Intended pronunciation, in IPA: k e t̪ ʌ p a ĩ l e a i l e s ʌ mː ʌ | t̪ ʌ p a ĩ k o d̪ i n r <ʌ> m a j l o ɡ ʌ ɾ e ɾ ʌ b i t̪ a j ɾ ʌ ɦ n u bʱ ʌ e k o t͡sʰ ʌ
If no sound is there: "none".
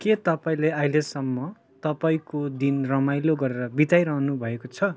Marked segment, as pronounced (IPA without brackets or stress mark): ʌ